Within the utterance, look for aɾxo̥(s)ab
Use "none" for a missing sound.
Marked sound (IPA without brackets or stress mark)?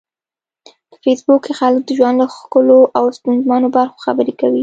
x